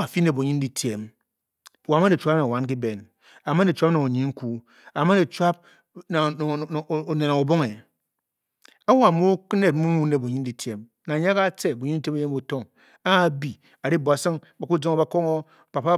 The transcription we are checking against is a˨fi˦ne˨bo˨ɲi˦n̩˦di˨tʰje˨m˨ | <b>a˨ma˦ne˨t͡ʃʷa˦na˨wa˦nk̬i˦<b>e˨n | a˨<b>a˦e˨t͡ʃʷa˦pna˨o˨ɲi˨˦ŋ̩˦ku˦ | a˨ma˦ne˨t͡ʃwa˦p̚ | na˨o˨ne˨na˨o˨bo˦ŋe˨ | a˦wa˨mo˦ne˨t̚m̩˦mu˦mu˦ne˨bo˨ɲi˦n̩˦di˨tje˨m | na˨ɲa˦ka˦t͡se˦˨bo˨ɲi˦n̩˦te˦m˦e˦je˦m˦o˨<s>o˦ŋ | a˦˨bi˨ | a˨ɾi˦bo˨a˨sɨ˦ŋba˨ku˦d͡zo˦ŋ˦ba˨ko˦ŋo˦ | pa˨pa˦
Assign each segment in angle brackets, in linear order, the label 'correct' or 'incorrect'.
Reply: incorrect: w, correct, incorrect: m, incorrect: t

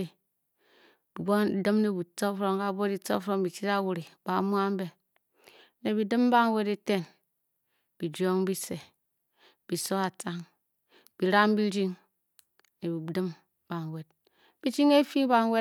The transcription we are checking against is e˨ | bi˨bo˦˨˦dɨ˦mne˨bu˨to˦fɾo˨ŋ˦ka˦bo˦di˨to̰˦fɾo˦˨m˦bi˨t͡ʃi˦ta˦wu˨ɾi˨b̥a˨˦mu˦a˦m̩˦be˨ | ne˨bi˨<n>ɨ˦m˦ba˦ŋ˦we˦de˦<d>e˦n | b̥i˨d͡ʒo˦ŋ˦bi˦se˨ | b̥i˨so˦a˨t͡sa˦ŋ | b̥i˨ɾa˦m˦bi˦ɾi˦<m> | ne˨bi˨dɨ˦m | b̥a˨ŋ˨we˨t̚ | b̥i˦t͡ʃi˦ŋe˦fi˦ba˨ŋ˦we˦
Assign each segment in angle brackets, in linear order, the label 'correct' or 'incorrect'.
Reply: incorrect: d, incorrect: t, incorrect: ŋ

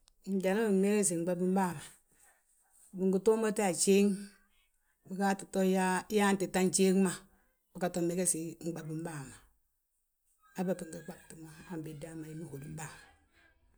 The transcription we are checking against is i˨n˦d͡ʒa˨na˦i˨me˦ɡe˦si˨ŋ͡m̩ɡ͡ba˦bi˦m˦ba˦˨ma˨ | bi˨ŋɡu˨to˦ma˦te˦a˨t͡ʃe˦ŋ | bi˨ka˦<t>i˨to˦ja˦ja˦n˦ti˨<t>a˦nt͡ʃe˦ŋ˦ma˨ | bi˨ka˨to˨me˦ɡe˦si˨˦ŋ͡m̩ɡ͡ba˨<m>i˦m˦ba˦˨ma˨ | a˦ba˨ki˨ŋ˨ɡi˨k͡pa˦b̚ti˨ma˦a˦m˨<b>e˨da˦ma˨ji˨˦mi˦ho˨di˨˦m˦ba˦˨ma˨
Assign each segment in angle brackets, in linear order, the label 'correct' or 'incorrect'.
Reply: correct, correct, incorrect: b, correct

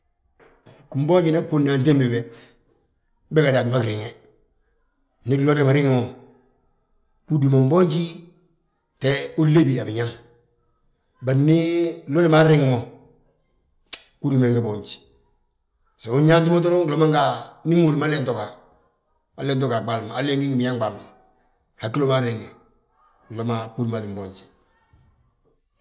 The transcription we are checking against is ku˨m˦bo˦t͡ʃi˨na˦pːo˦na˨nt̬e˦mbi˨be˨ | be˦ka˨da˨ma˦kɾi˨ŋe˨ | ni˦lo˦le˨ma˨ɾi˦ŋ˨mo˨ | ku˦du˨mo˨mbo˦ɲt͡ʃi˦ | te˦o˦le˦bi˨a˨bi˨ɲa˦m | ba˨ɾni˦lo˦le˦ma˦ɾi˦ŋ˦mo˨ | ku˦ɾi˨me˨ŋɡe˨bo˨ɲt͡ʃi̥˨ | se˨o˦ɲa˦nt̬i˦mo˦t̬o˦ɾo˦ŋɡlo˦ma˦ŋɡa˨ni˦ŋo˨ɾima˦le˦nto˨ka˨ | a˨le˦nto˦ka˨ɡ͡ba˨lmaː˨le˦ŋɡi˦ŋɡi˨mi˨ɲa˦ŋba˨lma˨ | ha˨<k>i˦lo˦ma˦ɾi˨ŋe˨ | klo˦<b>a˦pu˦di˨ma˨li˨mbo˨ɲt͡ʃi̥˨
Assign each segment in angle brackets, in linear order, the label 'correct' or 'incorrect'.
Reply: correct, incorrect: m

